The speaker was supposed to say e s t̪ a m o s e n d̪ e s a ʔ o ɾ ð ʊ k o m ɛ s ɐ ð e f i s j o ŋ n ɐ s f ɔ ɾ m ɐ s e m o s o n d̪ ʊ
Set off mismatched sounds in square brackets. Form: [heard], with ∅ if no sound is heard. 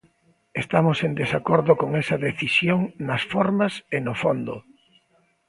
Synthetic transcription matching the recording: e s t̪ a m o s e n d̪ e s a [k] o ɾ ð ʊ k o [ŋ] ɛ s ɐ ð e [θ] i s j o ŋ n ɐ s f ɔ ɾ m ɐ s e [n] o [f] o n d̪ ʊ

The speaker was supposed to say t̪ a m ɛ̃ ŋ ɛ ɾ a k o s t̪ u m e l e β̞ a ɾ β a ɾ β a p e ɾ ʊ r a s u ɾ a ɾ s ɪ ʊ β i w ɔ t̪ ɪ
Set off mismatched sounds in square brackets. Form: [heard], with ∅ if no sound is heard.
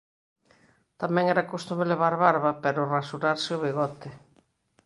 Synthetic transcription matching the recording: t̪ a m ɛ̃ ŋ ɛ ɾ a k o s t̪ u m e l e β̞ a ɾ β a ɾ β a p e ɾ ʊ r a s u ɾ a ɾ s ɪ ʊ β i [ɣ] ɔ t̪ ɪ

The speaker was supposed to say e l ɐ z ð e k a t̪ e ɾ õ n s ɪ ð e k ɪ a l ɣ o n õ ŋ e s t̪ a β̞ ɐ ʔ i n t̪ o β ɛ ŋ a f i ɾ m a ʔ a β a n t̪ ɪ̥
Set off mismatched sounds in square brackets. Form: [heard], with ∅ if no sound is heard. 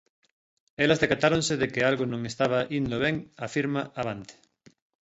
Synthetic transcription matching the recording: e l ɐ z ð e k a t̪ [a] ɾ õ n s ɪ ð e k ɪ a l ɣ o n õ ŋ e s t̪ a β̞ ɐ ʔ i n [d̪] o β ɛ ŋ a f i ɾ m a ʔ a β a n t̪ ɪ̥

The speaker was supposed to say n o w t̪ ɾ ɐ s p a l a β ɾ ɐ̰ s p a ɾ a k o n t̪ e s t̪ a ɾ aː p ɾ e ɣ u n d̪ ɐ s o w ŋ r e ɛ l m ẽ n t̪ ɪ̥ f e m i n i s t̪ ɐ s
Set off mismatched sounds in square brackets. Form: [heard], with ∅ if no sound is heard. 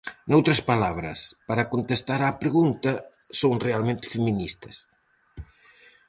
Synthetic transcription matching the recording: n o w t̪ ɾ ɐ s p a l a β ɾ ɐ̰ s p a ɾ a k o n t̪ e s t̪ a ɾ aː p ɾ e ɣ u n [t̪] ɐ s o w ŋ r e [a] l m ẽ n t̪ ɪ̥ f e m i n i s t̪ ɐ s

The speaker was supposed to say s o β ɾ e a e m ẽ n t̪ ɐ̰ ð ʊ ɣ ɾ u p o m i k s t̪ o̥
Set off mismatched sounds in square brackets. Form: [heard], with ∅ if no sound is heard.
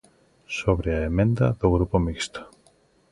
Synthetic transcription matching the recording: s o β ɾ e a e m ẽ n [d̪] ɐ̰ ð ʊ ɣ ɾ u p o m i k s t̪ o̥

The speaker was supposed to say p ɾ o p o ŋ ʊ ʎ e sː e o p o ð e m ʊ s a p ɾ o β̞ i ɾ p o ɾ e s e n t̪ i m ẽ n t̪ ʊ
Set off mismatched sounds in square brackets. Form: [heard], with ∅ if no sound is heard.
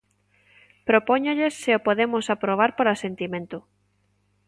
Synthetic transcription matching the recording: p ɾ o p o [ɲ] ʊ ʎ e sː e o p o ð e m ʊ s a p ɾ o β̞ [a] ɾ p o ɾ [a] s e n t̪ i m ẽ n t̪ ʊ

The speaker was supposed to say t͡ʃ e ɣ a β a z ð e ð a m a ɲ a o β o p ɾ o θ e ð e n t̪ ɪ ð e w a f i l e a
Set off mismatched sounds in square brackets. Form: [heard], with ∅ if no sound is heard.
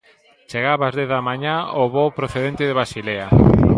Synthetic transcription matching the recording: t͡ʃ e ɣ a β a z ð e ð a m a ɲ a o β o p ɾ o θ e ð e n t̪ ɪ ð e [β] a [s] i l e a

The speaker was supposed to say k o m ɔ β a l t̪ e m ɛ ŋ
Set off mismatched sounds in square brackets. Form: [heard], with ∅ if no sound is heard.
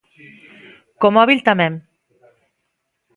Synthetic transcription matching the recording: k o m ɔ β [i] l t̪ [a] m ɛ [m]

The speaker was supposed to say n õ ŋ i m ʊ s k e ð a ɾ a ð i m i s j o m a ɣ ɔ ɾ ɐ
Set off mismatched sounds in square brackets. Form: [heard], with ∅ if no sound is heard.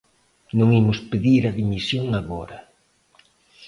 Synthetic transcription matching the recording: n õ ŋ i m ʊ s [p] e ð [i] ɾ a ð i m i s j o [ŋ] a ɣ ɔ ɾ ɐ

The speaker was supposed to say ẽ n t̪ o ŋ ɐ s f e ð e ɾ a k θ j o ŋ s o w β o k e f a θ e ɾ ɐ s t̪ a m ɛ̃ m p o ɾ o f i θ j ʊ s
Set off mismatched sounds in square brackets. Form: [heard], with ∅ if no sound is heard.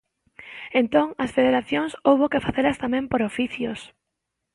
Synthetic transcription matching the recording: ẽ n t̪ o ŋ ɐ s f e ð e ɾ a [∅] θ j o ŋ s o w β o k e f a θ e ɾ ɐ s t̪ a m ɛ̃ m p o ɾ o f i θ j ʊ s

